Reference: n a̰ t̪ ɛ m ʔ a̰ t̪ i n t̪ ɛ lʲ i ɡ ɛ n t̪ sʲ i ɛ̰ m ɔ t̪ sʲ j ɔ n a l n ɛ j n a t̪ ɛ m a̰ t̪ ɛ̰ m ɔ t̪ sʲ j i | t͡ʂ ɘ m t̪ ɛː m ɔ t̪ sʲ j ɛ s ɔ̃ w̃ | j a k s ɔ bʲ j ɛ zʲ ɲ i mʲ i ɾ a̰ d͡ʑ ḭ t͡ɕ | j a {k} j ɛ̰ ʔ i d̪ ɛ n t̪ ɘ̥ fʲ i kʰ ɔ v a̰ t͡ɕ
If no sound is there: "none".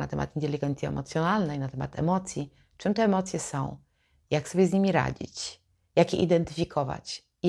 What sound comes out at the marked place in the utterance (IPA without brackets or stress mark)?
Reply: k